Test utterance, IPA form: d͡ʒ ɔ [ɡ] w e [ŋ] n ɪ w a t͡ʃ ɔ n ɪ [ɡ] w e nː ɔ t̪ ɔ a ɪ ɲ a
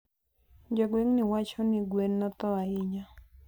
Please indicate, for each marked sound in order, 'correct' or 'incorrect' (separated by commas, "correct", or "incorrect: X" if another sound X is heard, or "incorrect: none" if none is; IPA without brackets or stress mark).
correct, correct, correct